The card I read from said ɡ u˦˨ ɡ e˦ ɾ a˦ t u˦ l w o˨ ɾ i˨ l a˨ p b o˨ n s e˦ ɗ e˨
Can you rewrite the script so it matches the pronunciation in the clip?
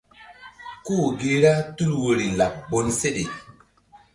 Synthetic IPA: k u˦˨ ɡ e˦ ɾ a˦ t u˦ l w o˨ ɾ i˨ l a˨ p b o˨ n s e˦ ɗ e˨